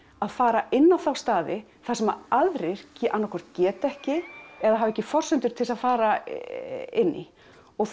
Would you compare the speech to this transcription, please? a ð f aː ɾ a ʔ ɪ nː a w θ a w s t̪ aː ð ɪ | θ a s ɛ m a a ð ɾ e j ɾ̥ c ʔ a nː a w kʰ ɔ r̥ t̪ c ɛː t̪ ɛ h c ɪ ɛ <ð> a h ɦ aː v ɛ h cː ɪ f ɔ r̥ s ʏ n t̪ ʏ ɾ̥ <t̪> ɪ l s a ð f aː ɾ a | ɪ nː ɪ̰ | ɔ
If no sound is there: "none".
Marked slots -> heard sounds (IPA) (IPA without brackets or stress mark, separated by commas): ð, t̪ʰ